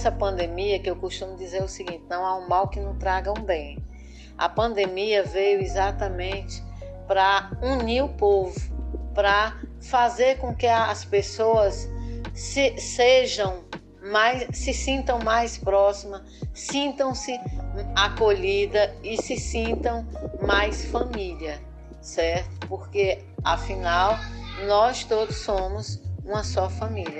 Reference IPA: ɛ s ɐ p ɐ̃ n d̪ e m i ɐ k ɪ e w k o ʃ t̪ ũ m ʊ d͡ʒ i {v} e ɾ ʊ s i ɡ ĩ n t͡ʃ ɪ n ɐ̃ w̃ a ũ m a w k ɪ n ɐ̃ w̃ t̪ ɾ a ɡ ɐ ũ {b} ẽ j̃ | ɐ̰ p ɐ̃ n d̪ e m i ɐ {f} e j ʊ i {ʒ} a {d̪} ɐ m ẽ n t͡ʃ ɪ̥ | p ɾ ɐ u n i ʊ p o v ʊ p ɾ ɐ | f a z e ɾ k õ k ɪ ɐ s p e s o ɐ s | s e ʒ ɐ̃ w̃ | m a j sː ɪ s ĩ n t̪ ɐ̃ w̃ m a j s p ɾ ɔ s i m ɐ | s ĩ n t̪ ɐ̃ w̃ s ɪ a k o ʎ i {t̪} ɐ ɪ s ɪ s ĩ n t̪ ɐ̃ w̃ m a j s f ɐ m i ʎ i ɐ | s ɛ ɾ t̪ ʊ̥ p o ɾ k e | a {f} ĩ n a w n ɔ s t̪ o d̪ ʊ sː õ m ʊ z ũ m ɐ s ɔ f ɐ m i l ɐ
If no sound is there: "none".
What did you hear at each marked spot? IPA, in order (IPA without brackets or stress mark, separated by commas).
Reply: z, b, v, z, t̪, d̪, f